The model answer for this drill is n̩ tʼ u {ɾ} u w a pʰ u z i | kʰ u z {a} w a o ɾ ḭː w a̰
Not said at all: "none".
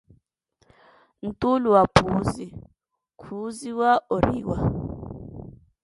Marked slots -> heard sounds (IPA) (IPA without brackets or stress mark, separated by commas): l, i